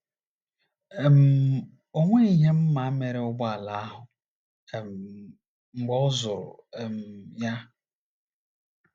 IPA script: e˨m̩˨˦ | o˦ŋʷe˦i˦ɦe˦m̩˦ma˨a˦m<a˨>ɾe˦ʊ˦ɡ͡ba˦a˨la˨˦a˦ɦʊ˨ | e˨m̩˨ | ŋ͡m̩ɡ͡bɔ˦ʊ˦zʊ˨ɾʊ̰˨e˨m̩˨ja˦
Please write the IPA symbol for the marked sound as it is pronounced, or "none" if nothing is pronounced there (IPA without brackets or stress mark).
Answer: e˨